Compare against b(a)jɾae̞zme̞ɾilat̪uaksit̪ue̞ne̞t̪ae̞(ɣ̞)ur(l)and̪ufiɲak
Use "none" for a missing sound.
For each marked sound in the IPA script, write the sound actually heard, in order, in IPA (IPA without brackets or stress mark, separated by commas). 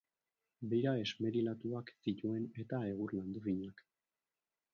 e, ɣ̞, l